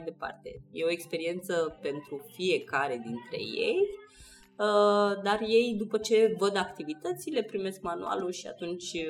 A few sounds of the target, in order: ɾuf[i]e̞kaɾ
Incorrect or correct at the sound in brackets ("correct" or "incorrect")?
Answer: correct